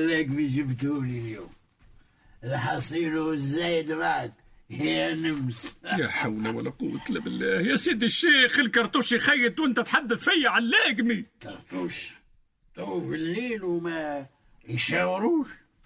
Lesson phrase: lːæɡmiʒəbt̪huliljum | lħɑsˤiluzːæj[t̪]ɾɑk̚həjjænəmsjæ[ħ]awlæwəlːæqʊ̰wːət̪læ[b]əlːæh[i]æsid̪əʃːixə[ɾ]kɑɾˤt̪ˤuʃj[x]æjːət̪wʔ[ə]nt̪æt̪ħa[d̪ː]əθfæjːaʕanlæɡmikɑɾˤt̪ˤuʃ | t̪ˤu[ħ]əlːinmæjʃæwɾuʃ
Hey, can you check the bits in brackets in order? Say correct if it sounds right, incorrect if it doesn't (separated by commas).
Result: incorrect, correct, correct, incorrect, incorrect, correct, correct, correct, incorrect